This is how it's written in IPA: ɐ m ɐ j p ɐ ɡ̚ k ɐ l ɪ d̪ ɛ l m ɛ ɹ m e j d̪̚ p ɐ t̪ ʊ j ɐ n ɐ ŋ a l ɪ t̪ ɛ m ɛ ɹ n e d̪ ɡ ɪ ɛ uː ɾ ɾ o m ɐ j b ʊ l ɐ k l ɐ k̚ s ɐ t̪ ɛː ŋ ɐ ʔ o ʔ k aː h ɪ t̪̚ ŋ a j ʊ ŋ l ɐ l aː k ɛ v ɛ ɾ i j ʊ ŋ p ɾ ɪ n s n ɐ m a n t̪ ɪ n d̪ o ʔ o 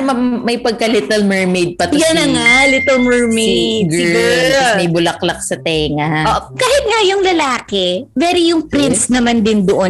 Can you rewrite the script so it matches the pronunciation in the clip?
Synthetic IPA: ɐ m ɐ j p ɐ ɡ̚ k ɐ l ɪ t̪ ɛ l m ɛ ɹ m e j d̪̚ p ɐ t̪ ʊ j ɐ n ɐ ŋ a l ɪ t̪ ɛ m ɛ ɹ m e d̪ ɡ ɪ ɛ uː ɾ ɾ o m ɐ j b ʊ l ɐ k l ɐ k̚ s ɐ t̪ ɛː ŋ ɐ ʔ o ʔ k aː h ɪ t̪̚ ŋ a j ʊ ŋ l ɐ l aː k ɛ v ɛ ɾ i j ʊ ŋ p ɾ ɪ n s n ɐ m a n d̪ ɪ n d̪ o ʔ o